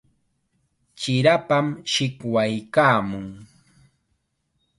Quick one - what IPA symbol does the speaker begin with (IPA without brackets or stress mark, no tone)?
t͡ʃ